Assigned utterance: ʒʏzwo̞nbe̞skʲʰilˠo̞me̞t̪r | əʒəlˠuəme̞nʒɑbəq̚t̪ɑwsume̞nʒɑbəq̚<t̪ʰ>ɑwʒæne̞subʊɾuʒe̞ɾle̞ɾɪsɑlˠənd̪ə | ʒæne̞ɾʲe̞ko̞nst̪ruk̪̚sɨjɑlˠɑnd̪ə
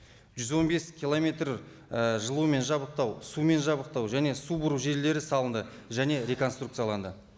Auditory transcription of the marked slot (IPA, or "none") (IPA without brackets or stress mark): t̪